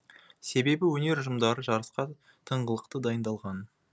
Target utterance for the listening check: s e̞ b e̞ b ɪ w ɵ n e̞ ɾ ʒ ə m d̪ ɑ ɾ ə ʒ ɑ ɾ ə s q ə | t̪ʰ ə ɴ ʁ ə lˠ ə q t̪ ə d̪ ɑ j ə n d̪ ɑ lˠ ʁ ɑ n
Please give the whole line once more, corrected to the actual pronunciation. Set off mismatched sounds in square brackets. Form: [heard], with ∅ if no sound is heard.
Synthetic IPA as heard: s e̞ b e̞ b ɪ w ɵ n e̞ ɾ ʒ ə m d̪ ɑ ɾ ə ʒ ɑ ɾ ə s q [ɑ] | t̪ʰ ə ɴ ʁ ə lˠ ə q t̪ ə d̪ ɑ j ə n d̪ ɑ lˠ ʁ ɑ n